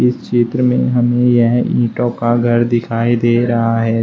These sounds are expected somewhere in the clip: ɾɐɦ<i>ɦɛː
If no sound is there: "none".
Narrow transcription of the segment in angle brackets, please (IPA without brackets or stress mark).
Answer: a